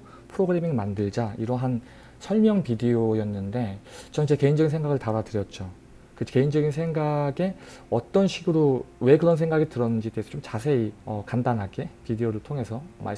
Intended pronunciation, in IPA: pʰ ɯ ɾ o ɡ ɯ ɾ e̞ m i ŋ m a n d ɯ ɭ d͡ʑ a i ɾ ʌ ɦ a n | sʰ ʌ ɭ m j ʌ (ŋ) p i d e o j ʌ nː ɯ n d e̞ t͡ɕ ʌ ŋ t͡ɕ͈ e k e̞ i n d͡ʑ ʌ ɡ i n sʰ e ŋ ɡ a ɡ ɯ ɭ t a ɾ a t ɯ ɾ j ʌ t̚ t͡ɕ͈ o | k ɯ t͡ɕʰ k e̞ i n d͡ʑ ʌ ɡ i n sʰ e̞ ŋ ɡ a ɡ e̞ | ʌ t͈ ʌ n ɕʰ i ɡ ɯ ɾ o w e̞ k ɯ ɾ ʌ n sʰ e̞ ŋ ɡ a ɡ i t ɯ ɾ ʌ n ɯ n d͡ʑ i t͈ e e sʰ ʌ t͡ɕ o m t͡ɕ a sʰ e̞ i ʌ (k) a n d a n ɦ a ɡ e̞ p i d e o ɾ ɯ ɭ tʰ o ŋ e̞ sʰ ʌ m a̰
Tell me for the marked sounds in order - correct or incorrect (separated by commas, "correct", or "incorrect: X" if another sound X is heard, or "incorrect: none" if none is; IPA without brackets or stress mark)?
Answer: correct, correct